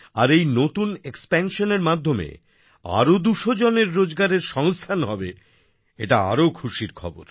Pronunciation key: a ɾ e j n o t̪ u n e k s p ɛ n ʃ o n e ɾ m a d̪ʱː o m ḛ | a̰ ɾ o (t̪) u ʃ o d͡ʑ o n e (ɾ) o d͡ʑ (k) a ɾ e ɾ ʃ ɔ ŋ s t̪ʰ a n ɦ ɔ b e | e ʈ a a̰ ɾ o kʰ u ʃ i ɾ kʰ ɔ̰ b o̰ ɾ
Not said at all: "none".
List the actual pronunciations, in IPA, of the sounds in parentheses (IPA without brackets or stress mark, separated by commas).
d̪, ɾː, ɡ